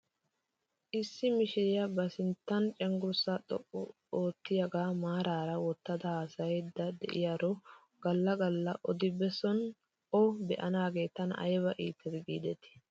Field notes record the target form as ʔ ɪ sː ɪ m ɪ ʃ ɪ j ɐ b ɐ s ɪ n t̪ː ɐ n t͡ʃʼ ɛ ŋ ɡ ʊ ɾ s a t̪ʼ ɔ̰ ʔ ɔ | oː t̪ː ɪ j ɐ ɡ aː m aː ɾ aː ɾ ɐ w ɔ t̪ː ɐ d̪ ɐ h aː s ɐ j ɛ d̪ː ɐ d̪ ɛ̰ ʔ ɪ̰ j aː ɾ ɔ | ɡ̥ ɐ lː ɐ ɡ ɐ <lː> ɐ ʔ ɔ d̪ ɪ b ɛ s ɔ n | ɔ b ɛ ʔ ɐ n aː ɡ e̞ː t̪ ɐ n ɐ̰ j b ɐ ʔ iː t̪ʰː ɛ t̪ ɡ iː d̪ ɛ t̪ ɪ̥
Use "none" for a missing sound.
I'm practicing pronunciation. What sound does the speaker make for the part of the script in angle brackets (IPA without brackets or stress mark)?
lː